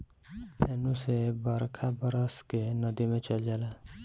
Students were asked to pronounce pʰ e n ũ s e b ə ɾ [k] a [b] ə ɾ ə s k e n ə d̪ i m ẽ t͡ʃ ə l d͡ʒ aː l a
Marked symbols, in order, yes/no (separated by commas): no, yes